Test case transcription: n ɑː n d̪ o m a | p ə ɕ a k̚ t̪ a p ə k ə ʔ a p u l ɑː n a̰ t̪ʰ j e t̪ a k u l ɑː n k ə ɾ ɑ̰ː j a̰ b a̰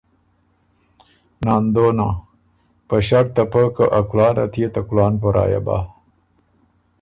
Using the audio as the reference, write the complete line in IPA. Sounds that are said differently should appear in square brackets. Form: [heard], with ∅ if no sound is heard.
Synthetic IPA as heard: n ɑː n d̪ o [n] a | p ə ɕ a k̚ t̪ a p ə k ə ʔ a [k] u l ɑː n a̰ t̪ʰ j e t̪ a k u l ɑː n [p] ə ɾ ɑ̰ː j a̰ b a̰